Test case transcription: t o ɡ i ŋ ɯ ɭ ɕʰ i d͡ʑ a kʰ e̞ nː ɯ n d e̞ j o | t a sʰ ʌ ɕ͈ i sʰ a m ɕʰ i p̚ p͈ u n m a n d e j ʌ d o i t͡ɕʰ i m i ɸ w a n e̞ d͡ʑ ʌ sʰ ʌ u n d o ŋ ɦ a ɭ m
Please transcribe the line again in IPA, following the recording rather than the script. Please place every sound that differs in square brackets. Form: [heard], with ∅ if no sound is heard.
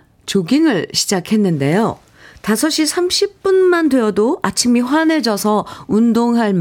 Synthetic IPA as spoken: [t͡ɕ] o ɡ i ŋ ɯ ɭ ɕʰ i d͡ʑ a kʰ e̞ nː ɯ n d e̞ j o | t a sʰ ʌ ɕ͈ i sʰ a m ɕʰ i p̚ p͈ u n m a n d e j ʌ d o [a] t͡ɕʰ i m i ɸ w a n e̞ d͡ʑ ʌ sʰ ʌ u n d o ŋ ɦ a ɭ m